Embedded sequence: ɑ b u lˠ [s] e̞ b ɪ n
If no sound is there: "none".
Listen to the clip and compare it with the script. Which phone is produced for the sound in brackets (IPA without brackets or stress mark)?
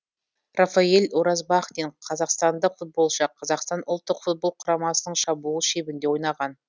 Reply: ʃ